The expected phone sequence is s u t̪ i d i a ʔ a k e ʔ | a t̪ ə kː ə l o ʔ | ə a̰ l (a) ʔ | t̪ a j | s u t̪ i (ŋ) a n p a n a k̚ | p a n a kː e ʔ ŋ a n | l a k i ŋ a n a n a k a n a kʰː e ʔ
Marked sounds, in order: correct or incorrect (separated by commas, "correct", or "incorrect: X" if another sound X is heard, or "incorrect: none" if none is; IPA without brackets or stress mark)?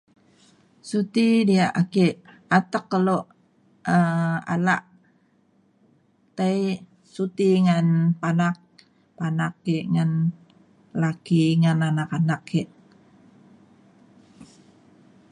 correct, correct